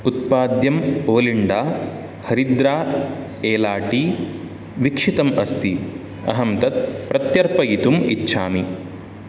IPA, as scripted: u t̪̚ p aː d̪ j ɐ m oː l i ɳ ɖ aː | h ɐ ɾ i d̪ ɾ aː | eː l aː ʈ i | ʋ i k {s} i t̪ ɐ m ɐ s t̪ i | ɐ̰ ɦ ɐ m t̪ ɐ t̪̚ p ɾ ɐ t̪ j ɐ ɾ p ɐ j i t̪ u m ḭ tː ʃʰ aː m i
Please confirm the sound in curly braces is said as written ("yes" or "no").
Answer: no